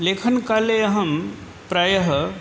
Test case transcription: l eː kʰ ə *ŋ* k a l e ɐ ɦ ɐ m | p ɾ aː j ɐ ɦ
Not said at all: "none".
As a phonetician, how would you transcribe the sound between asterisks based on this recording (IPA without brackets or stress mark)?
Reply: n